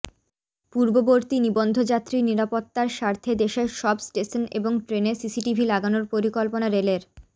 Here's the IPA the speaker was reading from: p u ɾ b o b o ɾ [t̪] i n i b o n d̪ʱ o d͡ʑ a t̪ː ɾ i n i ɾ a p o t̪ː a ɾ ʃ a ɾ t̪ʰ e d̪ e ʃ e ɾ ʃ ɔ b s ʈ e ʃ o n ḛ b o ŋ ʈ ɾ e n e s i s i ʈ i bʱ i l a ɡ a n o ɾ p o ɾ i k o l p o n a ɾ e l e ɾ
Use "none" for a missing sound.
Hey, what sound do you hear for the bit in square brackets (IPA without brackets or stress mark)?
t̪